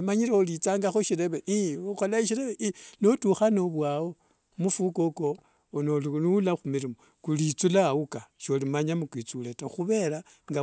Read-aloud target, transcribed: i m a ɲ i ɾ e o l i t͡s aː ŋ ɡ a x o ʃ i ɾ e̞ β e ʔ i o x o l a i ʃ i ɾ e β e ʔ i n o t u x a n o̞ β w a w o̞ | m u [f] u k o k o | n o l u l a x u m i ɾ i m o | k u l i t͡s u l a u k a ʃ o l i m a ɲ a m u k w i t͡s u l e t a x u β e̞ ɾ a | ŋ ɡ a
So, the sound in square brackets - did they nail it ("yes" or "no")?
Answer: yes